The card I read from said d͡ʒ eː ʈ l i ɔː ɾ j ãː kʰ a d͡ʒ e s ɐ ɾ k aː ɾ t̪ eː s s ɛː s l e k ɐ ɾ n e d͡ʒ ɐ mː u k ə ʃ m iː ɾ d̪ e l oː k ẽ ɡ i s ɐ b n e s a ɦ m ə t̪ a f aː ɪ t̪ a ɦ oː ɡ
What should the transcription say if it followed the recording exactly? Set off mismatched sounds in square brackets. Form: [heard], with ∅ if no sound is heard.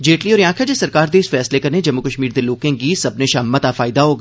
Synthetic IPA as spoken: d͡ʒ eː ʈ l i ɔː ɾ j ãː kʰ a d͡ʒ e s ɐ ɾ k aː ɾ [d̪] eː s [f] ɛː s l e k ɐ ɾ n e d͡ʒ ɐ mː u k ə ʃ m iː ɾ d̪ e l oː k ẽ ɡ i s ɐ b n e [ʃ] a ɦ m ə t̪ a f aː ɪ [d̪] a ɦ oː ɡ